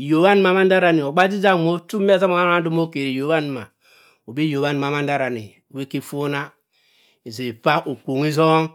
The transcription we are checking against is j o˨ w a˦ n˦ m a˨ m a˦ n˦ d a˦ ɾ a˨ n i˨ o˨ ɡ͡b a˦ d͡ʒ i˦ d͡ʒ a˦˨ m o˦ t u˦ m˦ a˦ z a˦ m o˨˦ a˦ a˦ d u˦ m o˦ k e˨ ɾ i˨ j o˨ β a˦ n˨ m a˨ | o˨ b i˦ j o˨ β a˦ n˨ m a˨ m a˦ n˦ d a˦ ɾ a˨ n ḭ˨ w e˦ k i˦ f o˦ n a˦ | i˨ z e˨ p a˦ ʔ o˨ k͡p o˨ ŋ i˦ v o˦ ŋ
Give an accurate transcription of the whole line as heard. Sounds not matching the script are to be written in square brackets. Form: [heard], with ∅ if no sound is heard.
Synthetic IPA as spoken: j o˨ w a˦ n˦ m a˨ m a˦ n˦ d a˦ ɾ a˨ n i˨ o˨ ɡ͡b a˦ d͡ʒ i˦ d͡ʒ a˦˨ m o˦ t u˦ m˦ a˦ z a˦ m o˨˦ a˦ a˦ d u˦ m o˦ k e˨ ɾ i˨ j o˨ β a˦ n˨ m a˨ | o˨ b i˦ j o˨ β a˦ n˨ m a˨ m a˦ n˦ d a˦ ɾ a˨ n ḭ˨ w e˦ k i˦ f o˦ n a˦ | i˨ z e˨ p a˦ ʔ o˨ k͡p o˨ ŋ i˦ [z] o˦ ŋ